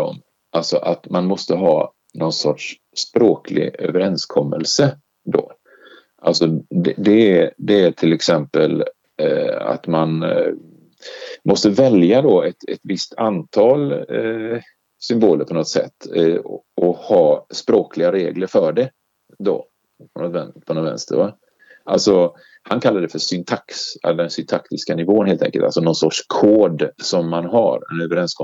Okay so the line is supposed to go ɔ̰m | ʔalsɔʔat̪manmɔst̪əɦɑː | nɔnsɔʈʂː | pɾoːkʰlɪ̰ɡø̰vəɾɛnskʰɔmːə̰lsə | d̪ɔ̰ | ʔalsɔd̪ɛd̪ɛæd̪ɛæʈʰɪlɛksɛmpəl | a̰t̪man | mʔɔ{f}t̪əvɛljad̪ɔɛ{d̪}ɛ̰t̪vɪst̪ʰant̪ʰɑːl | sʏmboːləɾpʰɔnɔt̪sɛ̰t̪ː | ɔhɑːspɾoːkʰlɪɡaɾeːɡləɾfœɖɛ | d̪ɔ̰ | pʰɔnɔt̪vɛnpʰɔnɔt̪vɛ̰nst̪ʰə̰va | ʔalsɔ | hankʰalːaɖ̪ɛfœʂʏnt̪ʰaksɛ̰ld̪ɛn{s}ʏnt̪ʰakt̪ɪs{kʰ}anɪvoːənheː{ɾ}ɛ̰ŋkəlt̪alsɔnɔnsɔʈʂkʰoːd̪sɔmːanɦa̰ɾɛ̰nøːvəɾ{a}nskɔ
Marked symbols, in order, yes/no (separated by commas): no, no, yes, no, no, no